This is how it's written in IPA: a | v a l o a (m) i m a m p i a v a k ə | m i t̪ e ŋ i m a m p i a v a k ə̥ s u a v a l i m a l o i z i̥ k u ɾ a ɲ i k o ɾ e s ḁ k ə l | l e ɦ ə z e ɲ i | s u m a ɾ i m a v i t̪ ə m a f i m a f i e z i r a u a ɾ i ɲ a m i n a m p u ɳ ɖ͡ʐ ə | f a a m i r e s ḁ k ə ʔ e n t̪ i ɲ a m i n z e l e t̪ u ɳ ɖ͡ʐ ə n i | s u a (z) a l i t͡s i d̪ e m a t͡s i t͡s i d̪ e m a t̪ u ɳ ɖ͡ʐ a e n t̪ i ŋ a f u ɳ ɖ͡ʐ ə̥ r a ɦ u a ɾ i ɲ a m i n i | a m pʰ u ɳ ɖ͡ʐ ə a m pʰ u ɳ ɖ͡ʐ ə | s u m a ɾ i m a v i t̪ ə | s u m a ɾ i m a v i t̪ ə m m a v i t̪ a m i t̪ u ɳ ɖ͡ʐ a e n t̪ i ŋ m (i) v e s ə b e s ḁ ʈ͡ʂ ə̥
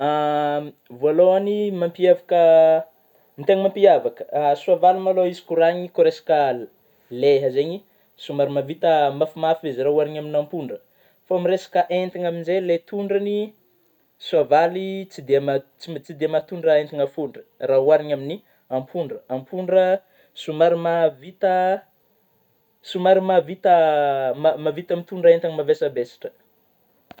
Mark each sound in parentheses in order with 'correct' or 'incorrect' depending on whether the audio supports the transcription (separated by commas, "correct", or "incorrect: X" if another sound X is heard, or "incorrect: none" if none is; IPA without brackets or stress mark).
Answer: incorrect: n, incorrect: v, incorrect: a